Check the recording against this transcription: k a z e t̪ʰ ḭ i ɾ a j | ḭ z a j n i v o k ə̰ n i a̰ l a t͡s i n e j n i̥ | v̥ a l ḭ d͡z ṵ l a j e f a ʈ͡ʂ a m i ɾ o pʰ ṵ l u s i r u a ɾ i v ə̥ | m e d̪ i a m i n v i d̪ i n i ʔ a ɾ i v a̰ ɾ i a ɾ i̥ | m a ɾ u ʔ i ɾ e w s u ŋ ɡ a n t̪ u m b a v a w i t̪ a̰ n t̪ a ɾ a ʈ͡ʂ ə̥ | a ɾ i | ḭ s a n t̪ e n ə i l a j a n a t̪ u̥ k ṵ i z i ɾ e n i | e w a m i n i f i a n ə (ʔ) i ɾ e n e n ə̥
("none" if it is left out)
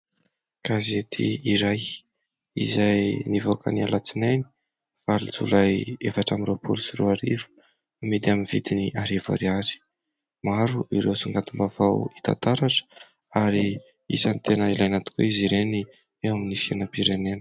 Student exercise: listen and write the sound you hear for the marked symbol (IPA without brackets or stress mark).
p